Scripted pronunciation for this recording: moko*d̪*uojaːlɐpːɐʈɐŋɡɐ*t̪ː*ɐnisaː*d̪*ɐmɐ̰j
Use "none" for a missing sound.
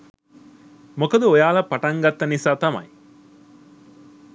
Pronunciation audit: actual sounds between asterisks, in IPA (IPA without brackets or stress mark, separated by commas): d̪, t̪ː, t̪